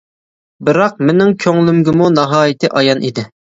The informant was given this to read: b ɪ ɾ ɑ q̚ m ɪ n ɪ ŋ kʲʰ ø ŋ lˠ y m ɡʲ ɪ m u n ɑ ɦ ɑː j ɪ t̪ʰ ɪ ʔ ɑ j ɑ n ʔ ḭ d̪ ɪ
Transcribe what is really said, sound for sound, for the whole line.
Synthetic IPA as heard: b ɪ ɾ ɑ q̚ m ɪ n ɪ ŋ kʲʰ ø ŋ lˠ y m ɡʲ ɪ m u n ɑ ɦ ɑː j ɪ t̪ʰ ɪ ʔ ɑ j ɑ n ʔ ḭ d̪ ɪ